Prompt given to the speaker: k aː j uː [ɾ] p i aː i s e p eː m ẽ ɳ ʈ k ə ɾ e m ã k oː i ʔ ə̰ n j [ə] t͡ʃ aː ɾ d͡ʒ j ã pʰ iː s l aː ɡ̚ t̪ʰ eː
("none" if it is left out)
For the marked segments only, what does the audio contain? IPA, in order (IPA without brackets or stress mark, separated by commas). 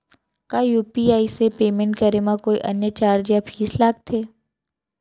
none, ə